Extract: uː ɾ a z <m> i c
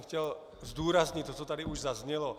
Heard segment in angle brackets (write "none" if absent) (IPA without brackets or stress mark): ɲ